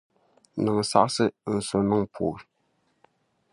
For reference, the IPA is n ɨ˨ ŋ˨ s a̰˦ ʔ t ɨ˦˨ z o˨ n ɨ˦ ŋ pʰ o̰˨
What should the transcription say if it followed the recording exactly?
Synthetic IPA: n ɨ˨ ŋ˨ s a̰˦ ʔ s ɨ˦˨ s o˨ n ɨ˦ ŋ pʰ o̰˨

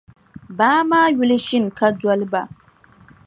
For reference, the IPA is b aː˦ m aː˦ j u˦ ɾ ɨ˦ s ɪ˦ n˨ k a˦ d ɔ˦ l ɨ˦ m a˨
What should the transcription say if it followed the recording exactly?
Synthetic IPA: b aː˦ m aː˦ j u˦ l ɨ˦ ʃ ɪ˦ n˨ k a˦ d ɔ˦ l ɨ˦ b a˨

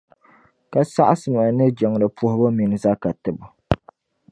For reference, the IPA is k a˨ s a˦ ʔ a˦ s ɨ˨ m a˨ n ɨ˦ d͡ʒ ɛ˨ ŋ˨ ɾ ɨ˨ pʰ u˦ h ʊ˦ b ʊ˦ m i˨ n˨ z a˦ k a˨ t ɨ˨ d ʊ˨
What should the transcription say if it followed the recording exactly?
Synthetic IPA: k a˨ s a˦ ʔ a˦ s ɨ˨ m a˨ n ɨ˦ d͡ʒ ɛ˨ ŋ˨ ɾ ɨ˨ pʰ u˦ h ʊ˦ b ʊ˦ m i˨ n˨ z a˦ k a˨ t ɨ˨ b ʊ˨

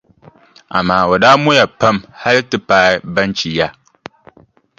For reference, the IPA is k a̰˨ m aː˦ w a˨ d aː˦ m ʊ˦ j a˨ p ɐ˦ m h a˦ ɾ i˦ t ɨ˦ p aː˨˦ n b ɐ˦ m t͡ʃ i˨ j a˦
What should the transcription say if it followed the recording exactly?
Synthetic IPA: ʔ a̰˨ m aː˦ w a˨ d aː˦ m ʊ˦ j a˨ p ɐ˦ m h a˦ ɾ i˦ t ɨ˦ p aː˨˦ b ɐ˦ n t͡ʃ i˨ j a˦

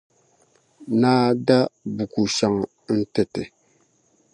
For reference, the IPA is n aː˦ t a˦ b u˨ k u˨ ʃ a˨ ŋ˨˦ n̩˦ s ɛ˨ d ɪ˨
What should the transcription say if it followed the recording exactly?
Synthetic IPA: n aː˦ d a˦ b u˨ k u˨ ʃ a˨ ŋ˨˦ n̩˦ t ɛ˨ t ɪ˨

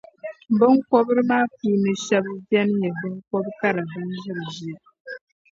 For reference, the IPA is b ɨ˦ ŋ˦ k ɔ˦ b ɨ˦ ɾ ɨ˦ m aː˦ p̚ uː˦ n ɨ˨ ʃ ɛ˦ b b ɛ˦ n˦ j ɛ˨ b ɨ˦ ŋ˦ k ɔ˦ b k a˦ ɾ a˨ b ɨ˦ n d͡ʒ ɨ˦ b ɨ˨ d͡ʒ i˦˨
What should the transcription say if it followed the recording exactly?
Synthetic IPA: b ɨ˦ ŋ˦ k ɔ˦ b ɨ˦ ɾ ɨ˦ m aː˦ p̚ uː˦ n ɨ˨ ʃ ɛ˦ b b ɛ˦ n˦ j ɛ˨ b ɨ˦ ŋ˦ k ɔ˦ b k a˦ ɾ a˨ b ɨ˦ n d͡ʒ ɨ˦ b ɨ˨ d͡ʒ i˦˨

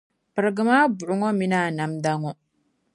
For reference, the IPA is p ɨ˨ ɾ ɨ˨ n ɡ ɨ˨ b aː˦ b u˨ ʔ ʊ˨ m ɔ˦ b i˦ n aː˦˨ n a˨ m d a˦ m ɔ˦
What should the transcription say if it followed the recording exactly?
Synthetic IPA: p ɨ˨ ɾ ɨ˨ ɡ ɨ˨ m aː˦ b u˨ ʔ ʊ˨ ŋ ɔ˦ m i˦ n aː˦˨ n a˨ m d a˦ ŋ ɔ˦

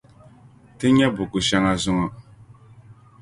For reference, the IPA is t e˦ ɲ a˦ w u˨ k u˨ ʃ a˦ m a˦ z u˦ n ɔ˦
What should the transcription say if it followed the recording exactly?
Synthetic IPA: t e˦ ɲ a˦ b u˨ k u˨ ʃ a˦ ŋ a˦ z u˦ ŋ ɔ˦

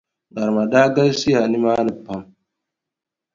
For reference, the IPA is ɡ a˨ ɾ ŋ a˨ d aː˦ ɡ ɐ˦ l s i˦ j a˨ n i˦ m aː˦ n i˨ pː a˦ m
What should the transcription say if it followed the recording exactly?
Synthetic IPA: ɡ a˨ ɾ m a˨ d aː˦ ɡ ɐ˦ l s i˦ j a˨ n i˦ m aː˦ n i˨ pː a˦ m

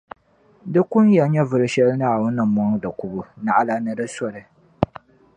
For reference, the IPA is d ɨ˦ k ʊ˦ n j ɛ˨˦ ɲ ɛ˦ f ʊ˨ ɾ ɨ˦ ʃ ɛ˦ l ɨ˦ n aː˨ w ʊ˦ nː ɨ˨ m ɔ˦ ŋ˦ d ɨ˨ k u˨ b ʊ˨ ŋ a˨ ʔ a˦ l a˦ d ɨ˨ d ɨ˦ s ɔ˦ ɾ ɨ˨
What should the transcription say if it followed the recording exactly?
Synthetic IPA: d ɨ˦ k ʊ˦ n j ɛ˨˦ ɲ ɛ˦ v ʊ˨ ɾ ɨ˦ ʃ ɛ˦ l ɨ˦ n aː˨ w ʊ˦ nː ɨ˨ m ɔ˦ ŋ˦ d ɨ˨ k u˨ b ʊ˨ n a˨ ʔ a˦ l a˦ n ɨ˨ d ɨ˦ s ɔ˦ ɾ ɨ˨

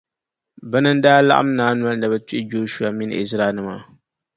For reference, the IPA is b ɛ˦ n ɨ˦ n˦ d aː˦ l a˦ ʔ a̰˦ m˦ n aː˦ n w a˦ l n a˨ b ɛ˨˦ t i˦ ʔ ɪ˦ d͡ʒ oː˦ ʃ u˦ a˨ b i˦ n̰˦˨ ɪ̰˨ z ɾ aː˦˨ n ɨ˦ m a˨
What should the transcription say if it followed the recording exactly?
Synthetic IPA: b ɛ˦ n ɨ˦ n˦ d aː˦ l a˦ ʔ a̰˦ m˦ n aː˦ n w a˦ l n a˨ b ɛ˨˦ t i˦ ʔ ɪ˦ d͡ʒ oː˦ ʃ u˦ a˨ m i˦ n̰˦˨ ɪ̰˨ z ɾ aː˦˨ n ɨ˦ m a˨

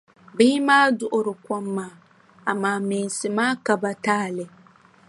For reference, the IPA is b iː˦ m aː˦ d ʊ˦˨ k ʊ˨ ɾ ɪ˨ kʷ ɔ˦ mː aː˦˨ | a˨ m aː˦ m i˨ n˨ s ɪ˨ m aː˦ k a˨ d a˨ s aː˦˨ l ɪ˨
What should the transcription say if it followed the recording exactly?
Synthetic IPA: b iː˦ m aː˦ d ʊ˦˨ ʔ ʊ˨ ɾ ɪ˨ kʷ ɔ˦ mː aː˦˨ | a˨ m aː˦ m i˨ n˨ s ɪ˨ m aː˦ k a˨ b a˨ t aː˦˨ l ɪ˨

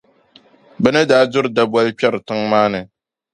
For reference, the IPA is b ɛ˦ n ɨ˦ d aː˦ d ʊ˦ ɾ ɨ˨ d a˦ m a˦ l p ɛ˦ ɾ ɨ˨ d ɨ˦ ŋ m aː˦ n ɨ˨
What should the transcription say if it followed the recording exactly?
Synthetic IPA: b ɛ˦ n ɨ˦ d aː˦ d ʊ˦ ɾ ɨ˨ d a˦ b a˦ l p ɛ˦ ɾ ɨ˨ t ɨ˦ ŋ m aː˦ n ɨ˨

